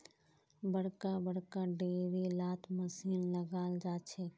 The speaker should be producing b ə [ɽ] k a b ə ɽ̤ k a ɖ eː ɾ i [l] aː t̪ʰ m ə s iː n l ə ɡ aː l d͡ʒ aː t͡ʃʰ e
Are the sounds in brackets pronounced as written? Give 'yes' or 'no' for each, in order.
yes, yes

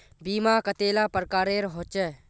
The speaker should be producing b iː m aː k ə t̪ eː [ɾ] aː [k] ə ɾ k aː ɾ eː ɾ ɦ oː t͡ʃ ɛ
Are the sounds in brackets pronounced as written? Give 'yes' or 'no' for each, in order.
no, no

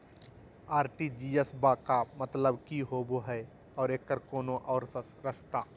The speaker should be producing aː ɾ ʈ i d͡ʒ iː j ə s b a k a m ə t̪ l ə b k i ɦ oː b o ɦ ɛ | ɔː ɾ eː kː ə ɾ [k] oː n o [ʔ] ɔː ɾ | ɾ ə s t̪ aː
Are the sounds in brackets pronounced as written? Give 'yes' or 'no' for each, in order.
yes, yes

